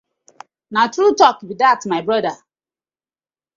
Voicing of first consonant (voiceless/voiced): voiced